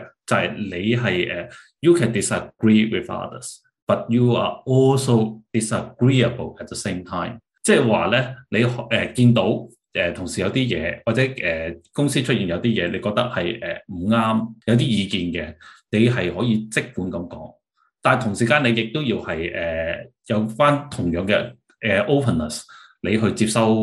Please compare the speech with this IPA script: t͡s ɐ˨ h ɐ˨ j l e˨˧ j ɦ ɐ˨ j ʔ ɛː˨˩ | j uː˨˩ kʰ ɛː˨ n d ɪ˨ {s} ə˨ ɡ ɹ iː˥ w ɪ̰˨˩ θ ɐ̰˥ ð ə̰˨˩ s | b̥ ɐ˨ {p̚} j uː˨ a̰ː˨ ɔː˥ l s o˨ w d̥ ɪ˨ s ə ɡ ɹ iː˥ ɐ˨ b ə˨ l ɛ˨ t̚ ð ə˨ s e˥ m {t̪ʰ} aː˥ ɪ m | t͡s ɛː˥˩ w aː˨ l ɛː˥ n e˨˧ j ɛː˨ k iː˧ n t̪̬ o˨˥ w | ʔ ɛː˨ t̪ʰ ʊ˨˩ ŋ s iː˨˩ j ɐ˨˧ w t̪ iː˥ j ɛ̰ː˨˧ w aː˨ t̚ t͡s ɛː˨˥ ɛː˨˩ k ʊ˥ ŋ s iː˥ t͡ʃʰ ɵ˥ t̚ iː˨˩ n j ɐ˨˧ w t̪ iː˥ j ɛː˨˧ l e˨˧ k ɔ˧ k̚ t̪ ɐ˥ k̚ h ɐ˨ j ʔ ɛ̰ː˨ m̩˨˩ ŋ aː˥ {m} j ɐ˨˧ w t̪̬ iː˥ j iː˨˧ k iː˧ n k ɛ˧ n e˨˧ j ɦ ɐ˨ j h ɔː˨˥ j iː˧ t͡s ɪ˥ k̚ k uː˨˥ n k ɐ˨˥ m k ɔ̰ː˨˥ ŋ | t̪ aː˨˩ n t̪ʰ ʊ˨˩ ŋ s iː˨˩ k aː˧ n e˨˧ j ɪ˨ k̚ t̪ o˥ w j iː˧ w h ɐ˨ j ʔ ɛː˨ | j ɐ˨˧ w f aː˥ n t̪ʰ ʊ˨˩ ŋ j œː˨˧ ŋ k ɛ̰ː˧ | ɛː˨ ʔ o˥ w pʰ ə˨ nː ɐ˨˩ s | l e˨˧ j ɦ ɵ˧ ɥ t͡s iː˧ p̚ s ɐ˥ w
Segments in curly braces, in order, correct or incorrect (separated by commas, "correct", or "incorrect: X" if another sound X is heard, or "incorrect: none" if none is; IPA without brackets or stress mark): correct, incorrect: t̚, correct, correct